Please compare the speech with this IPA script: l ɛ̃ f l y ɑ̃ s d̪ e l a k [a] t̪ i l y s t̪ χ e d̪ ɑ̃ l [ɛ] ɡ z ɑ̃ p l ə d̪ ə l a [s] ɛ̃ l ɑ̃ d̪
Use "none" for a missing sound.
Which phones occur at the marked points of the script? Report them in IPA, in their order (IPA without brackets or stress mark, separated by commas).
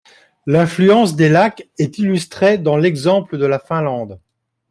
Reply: ɛ, ɛ, f